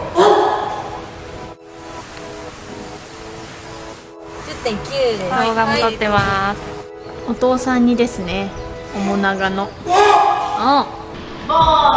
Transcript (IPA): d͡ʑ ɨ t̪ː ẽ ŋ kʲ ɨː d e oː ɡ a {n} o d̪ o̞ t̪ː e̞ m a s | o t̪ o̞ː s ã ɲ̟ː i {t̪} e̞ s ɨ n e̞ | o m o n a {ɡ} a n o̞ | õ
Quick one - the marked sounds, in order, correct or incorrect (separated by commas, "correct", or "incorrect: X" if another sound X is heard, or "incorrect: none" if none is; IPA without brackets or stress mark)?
incorrect: m, incorrect: d̪, correct